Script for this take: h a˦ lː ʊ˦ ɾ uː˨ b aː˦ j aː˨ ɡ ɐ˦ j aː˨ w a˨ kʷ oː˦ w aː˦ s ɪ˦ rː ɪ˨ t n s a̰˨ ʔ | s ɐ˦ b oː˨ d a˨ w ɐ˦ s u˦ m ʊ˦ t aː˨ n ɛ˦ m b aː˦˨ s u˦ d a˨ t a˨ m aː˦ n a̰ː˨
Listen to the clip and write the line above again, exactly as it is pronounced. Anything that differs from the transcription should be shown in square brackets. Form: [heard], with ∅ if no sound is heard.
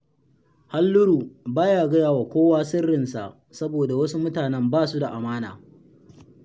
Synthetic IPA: h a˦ lː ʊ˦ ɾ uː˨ b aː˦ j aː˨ ɡ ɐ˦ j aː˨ w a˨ kʷ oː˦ w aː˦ s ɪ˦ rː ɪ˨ [∅] n s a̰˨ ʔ | s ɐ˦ b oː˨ d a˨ w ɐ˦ s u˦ m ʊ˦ t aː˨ n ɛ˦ m b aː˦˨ s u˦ d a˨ [ʔ] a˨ m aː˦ n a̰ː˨